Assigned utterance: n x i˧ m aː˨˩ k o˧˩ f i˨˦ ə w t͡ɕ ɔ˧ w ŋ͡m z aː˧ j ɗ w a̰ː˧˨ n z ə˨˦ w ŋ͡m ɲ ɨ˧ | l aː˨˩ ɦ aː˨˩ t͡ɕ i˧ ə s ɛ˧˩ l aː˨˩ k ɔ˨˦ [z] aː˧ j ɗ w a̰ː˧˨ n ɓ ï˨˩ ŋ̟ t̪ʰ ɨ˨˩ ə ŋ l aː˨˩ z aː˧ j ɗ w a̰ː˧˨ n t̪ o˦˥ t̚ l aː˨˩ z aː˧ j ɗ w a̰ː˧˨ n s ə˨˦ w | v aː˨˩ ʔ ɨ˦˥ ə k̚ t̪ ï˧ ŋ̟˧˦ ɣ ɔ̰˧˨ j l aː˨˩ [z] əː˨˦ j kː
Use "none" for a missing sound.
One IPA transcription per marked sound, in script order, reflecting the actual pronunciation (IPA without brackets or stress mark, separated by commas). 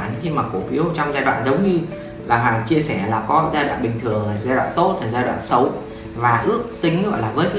z, v